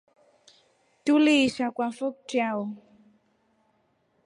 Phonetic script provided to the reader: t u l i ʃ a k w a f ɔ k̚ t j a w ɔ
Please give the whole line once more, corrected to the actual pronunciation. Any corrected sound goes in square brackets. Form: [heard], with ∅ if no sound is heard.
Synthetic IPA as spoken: t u l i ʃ a k w a f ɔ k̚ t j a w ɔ